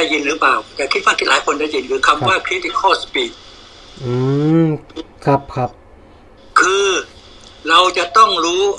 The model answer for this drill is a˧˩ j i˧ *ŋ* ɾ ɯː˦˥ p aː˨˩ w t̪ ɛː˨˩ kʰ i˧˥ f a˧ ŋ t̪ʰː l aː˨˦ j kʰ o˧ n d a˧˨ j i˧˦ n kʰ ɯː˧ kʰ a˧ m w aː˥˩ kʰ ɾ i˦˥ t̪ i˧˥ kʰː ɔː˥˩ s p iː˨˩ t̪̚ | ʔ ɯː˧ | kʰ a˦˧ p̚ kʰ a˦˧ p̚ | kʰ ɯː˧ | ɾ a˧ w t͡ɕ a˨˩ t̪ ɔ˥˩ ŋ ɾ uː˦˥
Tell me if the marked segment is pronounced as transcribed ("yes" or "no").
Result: no